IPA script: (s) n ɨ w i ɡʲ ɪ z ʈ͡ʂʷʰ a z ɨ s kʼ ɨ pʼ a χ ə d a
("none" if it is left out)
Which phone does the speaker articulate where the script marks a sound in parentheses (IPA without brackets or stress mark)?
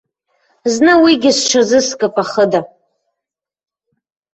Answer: z